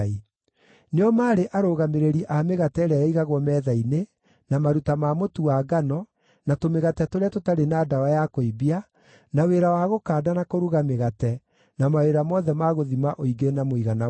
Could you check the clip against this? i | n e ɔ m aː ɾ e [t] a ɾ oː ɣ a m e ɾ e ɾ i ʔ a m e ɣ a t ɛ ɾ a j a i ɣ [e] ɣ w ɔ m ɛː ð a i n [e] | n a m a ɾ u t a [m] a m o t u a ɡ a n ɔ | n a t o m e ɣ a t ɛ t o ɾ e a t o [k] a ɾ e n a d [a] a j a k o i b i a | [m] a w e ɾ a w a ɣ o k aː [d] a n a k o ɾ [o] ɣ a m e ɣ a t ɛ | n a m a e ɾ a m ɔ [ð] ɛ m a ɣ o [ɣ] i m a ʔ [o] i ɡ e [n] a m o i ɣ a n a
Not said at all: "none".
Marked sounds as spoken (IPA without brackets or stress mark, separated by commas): ʔ, a, e, m, t, a, n, d, u, ð, ð, o, n